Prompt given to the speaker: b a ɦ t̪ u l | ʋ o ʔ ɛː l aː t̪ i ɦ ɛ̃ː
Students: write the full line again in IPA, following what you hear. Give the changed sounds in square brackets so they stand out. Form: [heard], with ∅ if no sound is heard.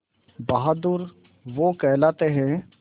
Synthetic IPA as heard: b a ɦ [d̪] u [ɾ] | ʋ o [k] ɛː l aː t̪ [e] ɦ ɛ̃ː